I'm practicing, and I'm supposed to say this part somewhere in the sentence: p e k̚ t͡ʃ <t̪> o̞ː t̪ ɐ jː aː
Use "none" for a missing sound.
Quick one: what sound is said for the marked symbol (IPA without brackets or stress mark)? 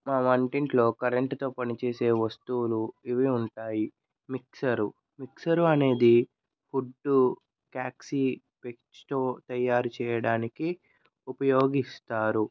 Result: t̪